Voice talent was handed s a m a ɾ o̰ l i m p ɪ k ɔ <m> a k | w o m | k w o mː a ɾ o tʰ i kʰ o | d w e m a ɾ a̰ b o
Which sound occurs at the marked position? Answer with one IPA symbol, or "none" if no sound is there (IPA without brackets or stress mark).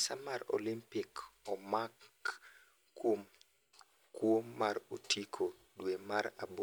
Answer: m